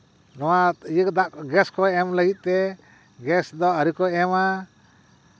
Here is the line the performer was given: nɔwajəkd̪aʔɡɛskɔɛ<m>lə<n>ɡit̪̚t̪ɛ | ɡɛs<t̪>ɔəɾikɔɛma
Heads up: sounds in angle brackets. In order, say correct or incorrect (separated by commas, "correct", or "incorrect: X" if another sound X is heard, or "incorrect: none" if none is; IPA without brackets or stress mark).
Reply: correct, incorrect: none, incorrect: d̪